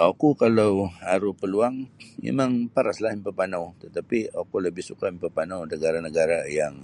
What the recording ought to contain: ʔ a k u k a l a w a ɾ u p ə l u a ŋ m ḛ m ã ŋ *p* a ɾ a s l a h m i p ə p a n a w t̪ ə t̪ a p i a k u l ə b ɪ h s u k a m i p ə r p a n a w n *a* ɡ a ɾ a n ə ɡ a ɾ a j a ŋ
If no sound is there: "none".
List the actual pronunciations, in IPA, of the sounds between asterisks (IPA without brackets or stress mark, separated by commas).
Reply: p, ə